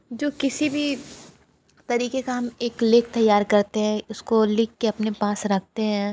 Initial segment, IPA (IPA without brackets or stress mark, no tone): d͡ʒ